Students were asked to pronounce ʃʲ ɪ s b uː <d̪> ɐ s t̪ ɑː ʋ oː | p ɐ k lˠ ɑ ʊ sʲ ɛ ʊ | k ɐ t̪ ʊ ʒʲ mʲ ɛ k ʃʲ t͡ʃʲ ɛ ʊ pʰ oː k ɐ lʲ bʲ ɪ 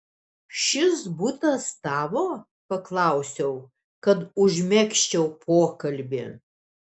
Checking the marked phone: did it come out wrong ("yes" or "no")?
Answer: yes